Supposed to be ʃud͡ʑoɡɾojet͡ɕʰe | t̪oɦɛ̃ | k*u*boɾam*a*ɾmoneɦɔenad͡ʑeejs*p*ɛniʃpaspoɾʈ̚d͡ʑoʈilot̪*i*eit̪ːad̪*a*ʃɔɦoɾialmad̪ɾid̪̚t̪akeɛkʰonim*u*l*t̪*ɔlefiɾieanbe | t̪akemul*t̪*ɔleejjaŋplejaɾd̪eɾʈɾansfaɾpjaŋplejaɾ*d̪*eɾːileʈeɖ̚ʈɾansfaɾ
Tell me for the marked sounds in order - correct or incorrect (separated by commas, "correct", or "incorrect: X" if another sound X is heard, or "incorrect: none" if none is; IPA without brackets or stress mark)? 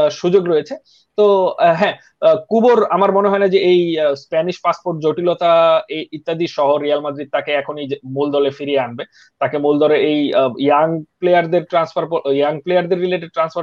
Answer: correct, correct, correct, incorrect: a, incorrect: i, correct, incorrect: d̪, incorrect: d̪, correct